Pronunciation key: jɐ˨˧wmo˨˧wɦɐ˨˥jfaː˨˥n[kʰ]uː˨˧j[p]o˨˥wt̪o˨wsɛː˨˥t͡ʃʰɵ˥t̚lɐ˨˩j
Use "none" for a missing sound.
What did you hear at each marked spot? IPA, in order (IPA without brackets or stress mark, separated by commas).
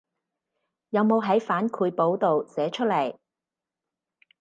kʰ, p